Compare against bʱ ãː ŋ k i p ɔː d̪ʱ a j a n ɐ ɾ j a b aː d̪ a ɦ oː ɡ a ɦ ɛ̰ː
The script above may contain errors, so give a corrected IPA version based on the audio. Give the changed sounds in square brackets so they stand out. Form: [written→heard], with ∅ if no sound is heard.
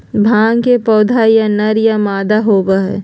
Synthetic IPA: bʱ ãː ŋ k [i→e] p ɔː d̪ʱ a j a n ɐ ɾ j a [b→m] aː d̪ a ɦ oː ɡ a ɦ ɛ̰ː